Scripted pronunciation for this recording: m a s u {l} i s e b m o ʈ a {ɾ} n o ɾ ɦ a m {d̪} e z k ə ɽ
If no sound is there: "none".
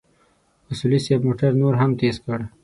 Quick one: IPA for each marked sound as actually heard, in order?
l, ɾ, t̪

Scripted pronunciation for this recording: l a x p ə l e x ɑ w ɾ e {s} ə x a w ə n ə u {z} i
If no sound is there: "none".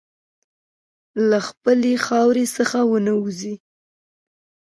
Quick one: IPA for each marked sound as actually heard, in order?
s, z

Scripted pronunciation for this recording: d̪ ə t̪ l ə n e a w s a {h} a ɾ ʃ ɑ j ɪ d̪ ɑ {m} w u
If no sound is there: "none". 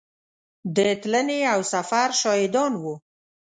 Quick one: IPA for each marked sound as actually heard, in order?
f, n

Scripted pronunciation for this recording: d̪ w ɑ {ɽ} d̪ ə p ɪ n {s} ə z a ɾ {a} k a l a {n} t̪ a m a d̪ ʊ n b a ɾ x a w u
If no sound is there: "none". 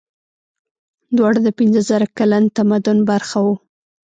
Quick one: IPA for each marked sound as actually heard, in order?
ɽ, z, a, n

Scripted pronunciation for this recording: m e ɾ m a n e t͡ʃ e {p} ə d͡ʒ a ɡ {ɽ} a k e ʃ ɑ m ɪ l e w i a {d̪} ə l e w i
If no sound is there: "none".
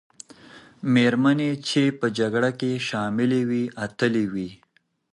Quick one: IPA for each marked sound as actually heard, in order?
p, ɽ, t̪

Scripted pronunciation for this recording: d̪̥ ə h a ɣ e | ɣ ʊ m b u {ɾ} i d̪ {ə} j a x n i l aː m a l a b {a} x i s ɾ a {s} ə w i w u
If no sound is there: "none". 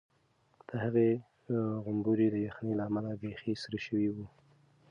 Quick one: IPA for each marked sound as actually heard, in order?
ɾ, ə, e, ʃ

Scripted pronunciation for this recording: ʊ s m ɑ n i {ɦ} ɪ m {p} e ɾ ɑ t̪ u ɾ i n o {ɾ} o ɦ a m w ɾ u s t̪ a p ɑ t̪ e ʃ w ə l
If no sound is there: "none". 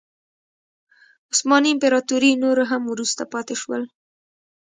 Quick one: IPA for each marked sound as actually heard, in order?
none, p, ɾ

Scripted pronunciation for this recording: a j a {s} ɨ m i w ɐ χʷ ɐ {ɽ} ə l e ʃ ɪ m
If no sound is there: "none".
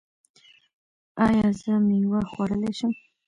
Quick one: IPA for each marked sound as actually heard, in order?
z, ɾ

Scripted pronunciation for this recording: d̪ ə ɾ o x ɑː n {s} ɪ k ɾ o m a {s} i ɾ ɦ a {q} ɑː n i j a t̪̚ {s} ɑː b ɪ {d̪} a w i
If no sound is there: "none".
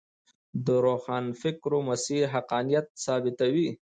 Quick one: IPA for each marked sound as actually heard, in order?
f, s, q, s, t̪

